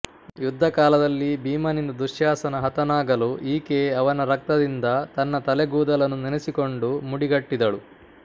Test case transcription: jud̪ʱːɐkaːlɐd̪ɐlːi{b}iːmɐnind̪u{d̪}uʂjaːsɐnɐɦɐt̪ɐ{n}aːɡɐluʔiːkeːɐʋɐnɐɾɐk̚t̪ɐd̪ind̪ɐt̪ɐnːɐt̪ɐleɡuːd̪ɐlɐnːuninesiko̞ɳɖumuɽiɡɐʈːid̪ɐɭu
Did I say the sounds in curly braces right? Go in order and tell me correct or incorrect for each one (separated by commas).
correct, correct, correct